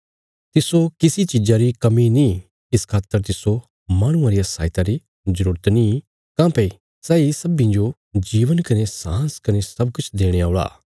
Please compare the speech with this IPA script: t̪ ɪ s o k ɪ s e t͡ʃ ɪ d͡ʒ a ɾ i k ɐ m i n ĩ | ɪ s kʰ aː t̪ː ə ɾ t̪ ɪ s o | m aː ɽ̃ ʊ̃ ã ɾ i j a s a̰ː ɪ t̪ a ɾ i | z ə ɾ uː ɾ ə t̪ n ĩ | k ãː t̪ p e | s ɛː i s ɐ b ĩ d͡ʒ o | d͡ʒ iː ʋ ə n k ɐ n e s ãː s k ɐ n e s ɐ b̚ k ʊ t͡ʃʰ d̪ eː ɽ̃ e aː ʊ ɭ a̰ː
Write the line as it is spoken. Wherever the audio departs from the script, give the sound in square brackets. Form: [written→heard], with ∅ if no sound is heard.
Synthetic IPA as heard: t̪ ɪ s o k ɪ s [e→i] t͡ʃ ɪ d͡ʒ a ɾ i k ɐ m i n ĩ | ɪ s kʰ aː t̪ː ə ɾ t̪ ɪ s o | m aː ɽ̃ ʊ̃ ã ɾ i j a s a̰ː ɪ t̪ a ɾ i | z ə ɾ uː ɾ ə t̪ n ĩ | k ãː [t̪→∅] p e | s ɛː i s ɐ b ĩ d͡ʒ o | d͡ʒ iː ʋ ə n k ɐ n e s ãː s k ɐ n e s ɐ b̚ k ʊ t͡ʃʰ d̪ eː ɽ̃ e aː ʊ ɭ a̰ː